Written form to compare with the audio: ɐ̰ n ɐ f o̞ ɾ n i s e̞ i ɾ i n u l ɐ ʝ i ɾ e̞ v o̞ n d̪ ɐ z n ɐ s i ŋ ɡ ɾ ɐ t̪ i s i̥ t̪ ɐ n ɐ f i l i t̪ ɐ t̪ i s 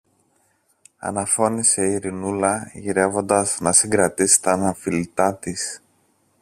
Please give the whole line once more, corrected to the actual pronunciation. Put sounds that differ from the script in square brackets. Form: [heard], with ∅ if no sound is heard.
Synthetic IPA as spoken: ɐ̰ n ɐ f o̞ [∅] n i s e̞ i ɾ i n u l ɐ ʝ i ɾ e̞ v o̞ n d̪ ɐ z n ɐ s i ŋ ɡ ɾ ɐ t̪ i s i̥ t̪ ɐ n ɐ f i l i t̪ ɐ t̪ i s